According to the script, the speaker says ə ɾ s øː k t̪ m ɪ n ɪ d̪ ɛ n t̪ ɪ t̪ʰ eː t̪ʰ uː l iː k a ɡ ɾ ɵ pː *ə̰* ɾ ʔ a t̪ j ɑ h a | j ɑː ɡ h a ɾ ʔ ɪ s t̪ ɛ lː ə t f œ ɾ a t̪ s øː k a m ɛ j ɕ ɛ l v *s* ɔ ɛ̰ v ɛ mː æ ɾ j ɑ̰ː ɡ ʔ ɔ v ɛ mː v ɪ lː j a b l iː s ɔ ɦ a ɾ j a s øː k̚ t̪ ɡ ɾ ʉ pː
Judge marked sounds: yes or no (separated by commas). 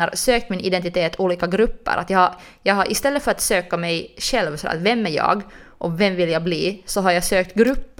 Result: yes, yes